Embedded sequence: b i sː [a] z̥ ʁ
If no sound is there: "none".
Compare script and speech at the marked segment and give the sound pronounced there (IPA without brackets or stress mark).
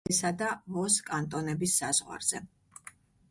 a